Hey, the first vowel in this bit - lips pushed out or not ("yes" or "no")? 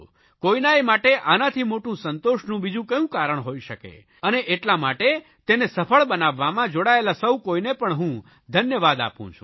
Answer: yes